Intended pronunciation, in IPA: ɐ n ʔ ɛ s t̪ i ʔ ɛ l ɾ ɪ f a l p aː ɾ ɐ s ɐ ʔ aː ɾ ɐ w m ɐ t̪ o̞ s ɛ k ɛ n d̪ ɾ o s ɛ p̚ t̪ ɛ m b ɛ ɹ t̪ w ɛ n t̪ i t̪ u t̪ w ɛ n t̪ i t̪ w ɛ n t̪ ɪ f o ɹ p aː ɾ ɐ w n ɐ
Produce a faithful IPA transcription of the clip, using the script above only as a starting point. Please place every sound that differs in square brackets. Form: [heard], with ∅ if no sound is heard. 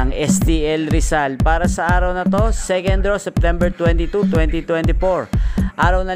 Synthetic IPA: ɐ [ŋ] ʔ ɛ s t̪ i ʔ ɛ l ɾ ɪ [s] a l p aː ɾ ɐ s ɐ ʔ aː ɾ ɐ w [n] ɐ t̪ o̞ s ɛ k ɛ n d̪ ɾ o s ɛ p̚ t̪ ɛ m b ɛ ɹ t̪ w ɛ n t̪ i t̪ u t̪ w ɛ n t̪ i t̪ w ɛ n t̪ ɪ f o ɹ [ʔ] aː ɾ ɐ w n ɐ